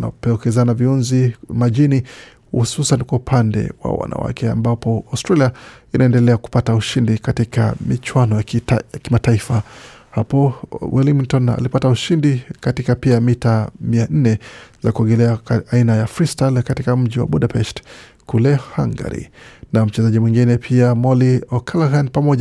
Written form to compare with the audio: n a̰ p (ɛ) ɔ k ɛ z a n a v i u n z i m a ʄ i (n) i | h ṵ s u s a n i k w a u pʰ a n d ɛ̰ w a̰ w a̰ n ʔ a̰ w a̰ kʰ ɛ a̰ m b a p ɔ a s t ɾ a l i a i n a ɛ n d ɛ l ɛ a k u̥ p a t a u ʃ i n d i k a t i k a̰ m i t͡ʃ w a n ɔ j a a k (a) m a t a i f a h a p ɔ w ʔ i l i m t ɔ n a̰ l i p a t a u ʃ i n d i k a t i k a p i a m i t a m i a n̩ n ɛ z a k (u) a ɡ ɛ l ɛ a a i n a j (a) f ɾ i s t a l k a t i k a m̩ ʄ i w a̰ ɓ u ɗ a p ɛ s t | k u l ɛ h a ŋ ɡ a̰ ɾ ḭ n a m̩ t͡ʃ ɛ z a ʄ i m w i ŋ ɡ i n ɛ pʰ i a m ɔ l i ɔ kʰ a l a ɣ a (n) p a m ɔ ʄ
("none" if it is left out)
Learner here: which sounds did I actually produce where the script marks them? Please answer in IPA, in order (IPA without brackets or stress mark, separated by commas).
ɛ, n, i, u, a, n